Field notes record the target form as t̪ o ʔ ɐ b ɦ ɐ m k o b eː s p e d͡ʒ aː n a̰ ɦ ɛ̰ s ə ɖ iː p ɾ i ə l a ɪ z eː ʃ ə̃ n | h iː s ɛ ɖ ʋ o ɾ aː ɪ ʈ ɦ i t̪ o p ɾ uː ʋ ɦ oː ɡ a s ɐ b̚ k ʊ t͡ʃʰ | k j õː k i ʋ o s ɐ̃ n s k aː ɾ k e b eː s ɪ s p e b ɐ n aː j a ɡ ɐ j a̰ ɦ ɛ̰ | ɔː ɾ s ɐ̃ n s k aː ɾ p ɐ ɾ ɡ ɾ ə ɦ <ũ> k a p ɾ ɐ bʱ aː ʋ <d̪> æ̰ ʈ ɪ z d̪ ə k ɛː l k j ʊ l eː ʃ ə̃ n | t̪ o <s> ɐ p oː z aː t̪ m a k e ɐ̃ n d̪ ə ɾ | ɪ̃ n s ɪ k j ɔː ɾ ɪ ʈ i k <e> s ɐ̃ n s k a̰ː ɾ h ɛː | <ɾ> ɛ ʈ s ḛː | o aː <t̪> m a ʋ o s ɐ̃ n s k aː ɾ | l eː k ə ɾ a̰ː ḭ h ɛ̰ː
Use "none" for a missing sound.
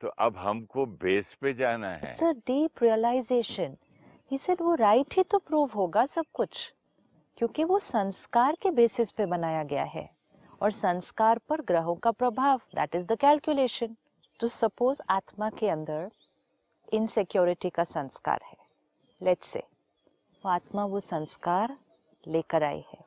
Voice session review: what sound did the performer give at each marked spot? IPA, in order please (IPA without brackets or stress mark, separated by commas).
õ, d̪, s, a, l, t̪